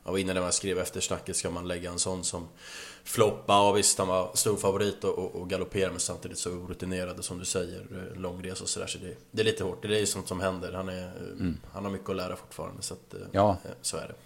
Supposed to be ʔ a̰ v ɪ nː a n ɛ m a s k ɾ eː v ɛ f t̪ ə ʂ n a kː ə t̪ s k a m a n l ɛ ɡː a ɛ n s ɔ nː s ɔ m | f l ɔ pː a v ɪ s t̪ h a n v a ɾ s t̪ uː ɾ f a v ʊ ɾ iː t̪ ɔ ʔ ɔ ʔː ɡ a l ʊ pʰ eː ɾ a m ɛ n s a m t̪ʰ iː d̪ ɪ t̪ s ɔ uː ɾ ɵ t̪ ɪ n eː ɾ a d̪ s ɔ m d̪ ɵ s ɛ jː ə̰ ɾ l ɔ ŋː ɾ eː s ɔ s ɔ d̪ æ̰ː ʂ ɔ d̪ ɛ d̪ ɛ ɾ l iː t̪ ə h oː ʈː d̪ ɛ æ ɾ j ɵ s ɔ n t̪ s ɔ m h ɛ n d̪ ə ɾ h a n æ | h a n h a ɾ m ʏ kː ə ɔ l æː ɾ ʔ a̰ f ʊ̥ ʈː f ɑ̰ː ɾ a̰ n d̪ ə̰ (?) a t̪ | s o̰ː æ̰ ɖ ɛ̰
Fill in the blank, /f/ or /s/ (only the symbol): s